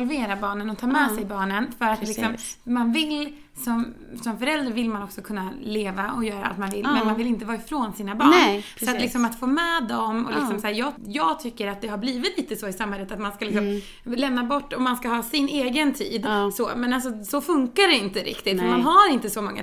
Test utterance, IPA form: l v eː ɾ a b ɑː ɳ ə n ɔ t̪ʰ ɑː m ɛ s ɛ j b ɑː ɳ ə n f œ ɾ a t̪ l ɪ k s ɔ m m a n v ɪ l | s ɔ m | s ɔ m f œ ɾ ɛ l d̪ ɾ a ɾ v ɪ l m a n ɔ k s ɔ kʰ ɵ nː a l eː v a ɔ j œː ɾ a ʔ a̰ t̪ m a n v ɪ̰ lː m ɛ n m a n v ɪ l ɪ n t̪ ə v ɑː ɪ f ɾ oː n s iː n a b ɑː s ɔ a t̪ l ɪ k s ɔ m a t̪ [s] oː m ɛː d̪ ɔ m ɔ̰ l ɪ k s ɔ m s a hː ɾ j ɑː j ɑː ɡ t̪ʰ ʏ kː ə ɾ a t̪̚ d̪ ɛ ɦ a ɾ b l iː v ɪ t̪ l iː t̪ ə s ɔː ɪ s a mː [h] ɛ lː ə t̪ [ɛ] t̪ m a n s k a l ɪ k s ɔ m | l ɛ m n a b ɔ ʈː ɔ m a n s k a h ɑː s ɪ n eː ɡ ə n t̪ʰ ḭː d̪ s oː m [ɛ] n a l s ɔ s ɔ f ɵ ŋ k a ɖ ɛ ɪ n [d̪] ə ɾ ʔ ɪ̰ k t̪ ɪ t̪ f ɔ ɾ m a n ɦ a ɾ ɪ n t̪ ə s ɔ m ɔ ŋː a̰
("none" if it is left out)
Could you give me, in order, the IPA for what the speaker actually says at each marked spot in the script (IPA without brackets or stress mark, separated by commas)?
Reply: f, h, a, ɛ, t̪